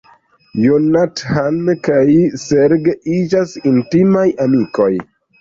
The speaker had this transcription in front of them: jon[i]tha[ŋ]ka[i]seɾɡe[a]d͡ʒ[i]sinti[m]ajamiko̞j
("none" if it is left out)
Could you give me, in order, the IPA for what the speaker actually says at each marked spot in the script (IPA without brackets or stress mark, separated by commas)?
a, n, j, i, a, m